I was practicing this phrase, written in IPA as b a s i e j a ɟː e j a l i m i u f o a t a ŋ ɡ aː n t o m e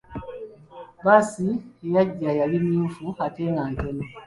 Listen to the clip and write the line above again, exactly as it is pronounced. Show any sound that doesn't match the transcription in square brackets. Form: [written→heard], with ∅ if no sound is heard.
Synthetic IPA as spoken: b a s i e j a ɟː [e→a] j a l i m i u f [o→u] a t [a→e] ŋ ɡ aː n t o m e